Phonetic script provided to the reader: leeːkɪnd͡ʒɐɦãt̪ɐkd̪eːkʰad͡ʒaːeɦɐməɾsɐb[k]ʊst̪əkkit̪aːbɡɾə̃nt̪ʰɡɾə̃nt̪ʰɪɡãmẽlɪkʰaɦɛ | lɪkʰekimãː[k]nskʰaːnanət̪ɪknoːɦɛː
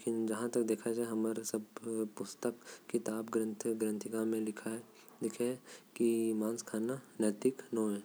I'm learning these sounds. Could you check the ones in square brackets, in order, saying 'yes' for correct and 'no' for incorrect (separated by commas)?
no, no